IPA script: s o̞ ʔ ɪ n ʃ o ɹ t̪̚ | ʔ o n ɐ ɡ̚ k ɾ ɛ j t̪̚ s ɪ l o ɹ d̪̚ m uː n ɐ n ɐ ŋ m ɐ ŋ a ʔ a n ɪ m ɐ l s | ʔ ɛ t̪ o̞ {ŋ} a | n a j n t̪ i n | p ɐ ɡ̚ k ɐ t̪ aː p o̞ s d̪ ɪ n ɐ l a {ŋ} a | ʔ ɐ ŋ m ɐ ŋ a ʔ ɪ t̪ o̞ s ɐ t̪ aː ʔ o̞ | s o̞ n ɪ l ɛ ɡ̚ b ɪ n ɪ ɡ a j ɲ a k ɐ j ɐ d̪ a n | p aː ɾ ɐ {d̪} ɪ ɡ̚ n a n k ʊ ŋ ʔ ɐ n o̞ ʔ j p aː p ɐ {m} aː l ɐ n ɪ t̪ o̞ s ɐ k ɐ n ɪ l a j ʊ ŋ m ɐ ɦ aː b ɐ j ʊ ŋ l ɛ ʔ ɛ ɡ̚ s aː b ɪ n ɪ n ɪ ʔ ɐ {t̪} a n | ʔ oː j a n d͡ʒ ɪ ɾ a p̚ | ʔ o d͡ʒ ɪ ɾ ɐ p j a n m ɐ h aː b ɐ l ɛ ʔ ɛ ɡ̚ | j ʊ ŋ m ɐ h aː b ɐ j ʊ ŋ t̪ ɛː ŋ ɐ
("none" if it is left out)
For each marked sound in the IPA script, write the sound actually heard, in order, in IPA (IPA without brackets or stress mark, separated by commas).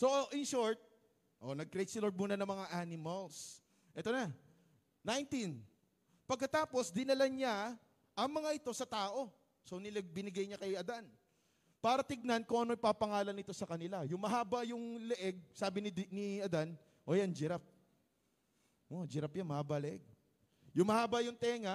n, ɲ, t̪, ŋ, d̪